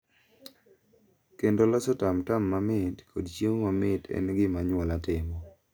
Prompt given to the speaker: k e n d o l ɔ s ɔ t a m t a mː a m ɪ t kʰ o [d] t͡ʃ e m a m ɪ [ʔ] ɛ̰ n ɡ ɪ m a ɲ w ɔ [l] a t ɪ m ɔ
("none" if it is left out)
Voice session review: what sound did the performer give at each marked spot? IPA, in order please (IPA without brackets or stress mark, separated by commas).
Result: d, t, l